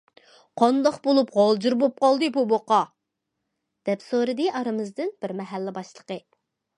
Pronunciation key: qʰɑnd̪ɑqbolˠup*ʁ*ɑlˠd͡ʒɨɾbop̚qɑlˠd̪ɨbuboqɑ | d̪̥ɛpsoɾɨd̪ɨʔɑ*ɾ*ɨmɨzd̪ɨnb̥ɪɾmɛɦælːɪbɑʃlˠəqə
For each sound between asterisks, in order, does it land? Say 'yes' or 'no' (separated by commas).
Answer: yes, yes